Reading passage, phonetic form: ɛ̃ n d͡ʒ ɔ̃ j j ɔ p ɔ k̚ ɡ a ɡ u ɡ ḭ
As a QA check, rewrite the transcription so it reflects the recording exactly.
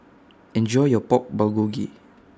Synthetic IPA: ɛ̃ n d͡ʒ ɔ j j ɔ p ɔ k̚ b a ɡ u ɡ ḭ